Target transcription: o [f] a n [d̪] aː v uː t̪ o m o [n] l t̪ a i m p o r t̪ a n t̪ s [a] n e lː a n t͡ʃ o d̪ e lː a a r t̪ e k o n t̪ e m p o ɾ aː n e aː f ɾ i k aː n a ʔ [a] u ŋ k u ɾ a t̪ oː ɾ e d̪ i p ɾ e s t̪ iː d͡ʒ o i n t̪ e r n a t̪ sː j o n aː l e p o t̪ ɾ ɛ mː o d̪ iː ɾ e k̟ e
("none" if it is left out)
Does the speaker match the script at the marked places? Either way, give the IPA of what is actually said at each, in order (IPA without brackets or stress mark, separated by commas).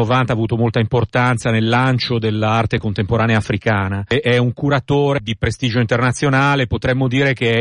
v, t̪, none, a, ɛ